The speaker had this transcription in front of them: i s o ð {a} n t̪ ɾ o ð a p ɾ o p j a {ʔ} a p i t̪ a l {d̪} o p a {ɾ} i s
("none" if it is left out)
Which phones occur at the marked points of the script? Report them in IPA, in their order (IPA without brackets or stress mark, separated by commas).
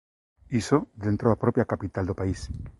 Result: e, k, d̪, none